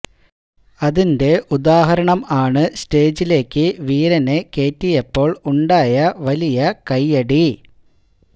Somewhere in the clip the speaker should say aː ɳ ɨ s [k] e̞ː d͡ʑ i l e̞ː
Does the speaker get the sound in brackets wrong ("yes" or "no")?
yes